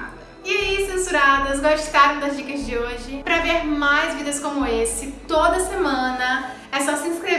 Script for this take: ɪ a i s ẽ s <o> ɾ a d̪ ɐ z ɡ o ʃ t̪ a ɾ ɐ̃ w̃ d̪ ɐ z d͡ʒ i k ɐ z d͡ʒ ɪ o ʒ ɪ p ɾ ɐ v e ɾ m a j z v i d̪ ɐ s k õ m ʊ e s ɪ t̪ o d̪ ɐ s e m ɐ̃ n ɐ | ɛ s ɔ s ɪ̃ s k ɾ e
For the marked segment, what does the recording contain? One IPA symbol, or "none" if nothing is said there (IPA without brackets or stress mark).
u